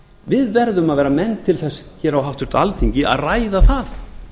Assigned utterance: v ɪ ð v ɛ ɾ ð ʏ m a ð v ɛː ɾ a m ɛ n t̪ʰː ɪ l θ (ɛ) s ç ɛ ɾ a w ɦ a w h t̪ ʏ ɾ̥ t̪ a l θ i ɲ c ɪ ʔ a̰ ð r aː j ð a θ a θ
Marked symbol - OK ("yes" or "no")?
yes